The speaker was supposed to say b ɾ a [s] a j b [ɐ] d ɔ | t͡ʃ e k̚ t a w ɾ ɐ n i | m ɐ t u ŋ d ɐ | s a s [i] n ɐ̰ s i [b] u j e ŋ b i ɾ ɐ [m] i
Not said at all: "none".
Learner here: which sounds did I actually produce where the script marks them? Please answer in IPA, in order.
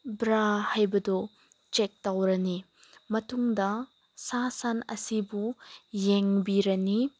h, ɐ, a, b, n

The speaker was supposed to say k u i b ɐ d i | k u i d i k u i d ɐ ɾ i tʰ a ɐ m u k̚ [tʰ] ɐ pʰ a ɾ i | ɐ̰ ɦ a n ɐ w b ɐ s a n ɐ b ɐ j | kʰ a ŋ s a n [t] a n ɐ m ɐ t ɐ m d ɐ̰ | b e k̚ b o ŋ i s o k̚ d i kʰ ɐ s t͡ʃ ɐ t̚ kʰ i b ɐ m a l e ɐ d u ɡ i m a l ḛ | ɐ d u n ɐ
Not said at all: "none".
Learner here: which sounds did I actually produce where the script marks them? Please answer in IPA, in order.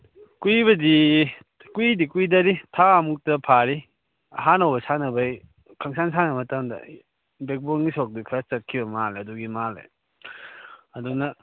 t, s

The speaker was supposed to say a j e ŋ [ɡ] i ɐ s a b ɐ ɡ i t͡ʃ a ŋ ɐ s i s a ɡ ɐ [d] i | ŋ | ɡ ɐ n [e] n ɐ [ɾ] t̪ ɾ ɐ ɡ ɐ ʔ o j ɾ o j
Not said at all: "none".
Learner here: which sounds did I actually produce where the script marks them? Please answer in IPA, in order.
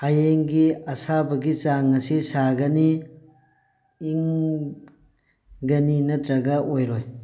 ɡ, n, i, none

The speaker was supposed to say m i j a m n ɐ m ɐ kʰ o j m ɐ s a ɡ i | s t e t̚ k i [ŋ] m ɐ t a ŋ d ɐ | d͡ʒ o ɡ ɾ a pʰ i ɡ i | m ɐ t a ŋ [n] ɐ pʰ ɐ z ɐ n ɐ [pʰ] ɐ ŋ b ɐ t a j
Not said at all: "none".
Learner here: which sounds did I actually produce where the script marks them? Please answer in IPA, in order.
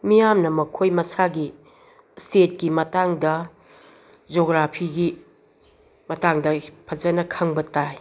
none, d, kʰ

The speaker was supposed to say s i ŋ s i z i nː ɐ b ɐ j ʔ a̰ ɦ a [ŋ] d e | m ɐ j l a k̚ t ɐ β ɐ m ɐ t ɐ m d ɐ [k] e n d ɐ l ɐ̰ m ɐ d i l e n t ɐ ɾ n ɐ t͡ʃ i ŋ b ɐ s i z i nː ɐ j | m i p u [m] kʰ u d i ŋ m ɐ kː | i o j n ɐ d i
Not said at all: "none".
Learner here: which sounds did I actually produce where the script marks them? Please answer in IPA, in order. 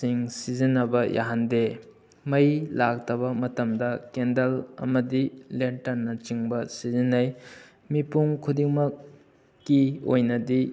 n, k, ŋ

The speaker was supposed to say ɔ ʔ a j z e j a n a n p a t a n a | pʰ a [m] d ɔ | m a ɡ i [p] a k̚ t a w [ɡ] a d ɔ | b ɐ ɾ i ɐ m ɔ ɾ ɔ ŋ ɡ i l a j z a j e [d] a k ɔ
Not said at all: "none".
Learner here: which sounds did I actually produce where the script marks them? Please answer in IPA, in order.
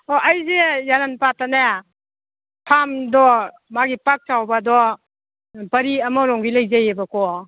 m, p, b, b

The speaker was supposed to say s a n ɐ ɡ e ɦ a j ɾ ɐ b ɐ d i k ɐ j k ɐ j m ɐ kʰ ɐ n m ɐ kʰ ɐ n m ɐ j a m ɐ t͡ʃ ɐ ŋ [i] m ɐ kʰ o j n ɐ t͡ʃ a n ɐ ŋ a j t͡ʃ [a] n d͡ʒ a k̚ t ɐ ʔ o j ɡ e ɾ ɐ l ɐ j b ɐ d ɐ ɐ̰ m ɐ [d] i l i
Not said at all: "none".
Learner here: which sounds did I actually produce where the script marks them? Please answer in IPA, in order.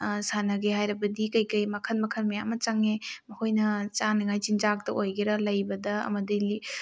e, i, d

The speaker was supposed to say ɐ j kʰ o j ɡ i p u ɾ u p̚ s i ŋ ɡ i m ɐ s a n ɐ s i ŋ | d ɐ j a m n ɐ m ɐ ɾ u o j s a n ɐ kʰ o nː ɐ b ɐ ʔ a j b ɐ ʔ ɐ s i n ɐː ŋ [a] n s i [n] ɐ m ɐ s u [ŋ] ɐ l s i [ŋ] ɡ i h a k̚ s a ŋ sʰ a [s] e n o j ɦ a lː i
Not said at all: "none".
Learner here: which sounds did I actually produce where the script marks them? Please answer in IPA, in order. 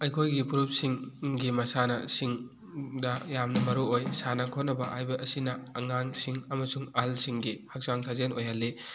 a, ŋ, ŋ, ŋ, z

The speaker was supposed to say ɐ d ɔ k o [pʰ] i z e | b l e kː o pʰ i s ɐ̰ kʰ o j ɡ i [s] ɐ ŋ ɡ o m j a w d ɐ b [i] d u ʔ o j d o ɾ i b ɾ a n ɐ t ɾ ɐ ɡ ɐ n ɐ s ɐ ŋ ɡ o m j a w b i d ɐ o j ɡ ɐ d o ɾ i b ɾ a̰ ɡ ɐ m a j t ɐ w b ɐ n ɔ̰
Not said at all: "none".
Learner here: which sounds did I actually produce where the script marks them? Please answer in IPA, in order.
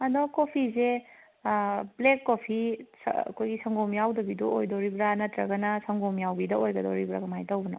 pʰ, s, i

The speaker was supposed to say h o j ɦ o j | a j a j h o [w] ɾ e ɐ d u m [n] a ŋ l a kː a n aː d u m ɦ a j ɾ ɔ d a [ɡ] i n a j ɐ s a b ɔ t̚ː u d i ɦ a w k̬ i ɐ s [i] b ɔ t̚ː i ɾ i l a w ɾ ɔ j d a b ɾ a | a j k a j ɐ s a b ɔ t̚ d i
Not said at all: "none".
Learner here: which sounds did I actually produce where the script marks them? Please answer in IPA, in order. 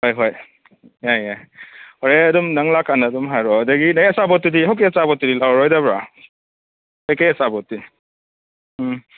none, n, ɡ, a

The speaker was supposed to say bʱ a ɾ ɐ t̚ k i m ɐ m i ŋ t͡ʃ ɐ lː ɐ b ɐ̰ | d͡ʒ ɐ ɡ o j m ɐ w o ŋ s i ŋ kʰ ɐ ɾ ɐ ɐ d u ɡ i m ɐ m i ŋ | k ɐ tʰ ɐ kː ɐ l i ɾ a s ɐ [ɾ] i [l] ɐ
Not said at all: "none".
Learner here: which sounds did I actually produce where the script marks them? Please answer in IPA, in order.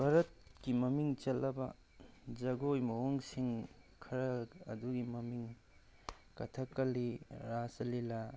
l, l

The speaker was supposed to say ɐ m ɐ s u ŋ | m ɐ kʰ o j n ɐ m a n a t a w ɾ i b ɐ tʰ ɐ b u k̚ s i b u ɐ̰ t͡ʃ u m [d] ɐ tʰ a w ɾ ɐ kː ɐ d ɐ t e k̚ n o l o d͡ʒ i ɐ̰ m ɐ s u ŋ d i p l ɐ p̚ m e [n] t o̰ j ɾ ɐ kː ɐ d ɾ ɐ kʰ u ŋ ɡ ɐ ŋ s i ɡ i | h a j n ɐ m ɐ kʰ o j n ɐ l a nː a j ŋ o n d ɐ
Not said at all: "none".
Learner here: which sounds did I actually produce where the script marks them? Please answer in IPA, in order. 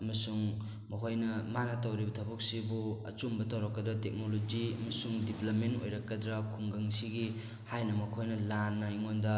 b, n

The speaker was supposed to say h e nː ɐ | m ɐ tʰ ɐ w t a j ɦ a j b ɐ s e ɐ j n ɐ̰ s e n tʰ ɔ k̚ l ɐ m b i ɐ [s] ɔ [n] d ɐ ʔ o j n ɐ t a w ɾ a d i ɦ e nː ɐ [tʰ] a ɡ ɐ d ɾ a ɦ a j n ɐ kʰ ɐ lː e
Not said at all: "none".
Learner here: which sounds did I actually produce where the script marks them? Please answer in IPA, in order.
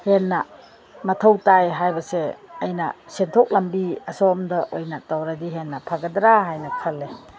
s, m, pʰ

